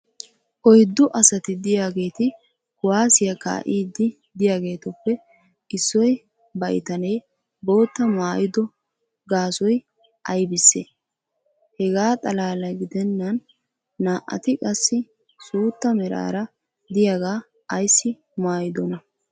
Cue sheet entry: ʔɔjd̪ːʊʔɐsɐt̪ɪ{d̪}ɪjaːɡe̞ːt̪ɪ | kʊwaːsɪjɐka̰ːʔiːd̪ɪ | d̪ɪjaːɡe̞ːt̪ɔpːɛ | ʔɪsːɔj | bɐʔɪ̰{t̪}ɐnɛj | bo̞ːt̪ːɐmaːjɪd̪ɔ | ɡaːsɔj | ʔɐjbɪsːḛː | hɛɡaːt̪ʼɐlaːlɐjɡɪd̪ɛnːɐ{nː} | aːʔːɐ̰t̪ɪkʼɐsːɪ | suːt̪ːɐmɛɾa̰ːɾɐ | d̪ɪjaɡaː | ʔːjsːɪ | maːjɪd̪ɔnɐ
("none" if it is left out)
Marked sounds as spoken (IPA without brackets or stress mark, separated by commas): d̪, t̪, nː